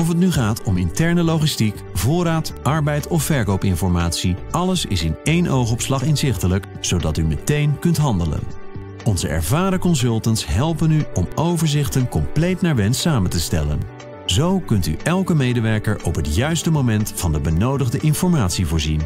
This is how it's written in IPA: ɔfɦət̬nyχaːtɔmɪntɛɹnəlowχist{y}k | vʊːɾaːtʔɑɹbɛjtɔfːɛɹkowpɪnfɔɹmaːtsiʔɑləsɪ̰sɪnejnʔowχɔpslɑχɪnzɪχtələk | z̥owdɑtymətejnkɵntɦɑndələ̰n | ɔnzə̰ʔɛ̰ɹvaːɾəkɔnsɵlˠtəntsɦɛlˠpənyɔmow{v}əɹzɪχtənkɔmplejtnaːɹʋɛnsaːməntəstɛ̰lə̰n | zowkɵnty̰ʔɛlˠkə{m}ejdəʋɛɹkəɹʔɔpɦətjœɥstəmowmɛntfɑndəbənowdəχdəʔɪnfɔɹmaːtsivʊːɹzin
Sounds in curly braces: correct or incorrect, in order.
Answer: incorrect: i, correct, correct

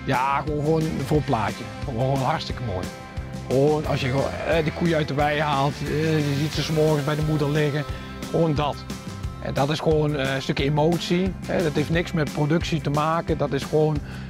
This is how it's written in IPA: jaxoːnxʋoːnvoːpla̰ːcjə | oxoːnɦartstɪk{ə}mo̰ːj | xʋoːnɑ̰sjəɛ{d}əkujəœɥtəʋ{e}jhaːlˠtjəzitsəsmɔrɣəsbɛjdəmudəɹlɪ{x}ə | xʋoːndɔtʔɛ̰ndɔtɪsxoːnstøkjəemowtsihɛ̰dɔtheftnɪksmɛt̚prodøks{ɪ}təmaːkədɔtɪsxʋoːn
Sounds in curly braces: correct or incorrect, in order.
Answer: correct, correct, incorrect: ɛ, incorrect: ɣ, incorrect: i

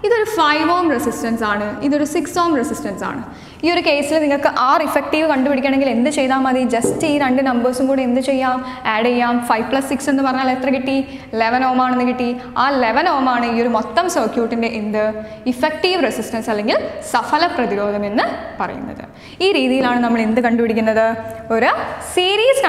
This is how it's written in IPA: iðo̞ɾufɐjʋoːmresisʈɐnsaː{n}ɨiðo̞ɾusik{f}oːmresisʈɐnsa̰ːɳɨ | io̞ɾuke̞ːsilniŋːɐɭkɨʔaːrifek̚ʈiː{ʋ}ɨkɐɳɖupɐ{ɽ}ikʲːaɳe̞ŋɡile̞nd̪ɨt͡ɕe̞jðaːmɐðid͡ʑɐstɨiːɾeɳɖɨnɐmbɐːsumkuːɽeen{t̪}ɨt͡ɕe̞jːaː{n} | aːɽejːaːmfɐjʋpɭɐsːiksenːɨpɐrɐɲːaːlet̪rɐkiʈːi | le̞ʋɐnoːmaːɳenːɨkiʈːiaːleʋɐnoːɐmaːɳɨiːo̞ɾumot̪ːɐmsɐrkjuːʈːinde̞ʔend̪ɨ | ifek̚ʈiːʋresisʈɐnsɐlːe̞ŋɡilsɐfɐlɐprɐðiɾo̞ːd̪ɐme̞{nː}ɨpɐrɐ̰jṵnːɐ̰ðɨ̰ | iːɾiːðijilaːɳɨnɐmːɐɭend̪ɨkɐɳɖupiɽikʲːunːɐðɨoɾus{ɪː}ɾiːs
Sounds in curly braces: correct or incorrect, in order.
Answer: incorrect: ɳ, incorrect: s, correct, correct, incorrect: d̪, incorrect: m, correct, incorrect: iː

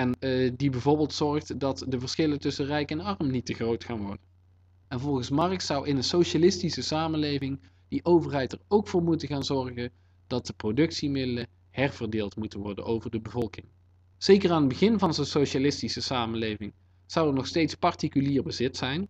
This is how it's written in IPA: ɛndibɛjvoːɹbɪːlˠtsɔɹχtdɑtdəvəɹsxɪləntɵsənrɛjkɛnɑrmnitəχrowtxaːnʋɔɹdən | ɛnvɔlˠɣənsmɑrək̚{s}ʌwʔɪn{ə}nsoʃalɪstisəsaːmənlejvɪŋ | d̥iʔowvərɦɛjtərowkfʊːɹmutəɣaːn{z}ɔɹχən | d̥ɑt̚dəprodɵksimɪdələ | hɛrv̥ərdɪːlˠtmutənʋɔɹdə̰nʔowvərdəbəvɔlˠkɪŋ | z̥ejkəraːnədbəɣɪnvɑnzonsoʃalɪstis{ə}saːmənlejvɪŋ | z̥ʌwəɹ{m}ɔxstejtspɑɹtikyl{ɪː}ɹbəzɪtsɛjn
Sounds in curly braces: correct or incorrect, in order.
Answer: correct, correct, correct, correct, incorrect: n, incorrect: iː

